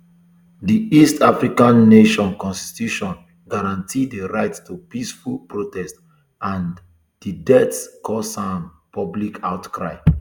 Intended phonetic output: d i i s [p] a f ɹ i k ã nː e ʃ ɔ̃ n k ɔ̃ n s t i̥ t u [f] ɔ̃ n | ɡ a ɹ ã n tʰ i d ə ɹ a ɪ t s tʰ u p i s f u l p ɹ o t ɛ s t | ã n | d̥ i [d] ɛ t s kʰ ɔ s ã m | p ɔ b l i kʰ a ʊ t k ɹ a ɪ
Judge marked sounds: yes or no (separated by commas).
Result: no, no, yes